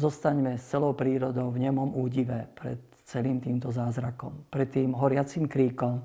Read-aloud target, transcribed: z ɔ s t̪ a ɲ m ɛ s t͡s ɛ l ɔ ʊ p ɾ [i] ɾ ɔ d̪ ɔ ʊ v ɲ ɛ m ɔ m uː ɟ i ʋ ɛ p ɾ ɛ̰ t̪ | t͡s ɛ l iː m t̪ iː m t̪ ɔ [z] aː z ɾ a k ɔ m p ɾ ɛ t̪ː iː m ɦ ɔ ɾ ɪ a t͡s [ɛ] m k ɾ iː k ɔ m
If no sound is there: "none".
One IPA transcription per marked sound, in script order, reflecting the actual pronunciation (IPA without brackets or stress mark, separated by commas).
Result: iː, z, i